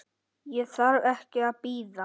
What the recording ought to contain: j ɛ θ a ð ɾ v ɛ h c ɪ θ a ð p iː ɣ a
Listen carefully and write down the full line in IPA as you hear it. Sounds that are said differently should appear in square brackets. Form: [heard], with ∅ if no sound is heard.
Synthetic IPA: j ɛ θ a [∅] ɾ v ɛ h c ɪ [∅] a ð p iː [ð] a